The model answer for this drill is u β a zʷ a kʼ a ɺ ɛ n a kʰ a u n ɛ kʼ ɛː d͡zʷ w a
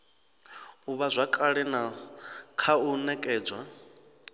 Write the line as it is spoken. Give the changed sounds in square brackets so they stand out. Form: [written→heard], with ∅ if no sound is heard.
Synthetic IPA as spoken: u β a zʷ a kʼ a ɺ ɛ n a kʰ a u n ɛ kʼ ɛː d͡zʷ w a